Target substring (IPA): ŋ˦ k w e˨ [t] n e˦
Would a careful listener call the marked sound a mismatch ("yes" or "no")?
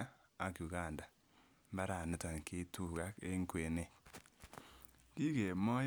yes